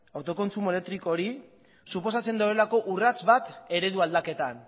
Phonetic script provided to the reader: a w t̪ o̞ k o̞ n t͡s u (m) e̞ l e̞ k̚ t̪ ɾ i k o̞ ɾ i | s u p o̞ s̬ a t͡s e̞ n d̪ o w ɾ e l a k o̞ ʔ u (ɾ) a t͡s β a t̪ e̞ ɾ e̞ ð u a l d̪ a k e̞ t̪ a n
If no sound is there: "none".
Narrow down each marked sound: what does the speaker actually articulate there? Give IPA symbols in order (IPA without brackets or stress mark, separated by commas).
m, r